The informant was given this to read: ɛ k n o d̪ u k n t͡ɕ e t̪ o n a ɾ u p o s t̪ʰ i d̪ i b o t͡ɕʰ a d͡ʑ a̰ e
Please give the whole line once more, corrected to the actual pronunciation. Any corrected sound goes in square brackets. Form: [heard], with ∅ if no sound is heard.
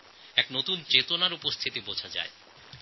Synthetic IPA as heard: ɛ k n o [t̪] u [∅] n t͡ɕ e t̪ o n a ɾ u p o s t̪ʰ i [t̪] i b o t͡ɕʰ a d͡ʑ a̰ e